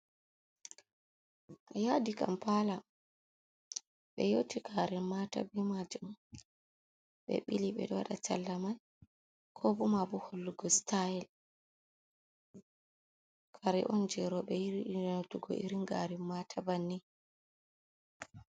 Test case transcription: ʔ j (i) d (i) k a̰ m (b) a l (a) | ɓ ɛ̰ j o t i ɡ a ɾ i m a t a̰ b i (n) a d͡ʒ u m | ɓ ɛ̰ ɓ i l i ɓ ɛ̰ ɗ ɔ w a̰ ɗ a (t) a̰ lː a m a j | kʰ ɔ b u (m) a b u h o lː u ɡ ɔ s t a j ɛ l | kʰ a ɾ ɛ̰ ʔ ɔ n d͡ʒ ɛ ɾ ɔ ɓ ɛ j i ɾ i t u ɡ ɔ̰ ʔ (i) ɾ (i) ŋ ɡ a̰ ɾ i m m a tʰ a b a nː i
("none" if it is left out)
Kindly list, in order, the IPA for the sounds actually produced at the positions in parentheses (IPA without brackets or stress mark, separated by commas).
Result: a, i, p, a, m, t͡ʃ, m, i, i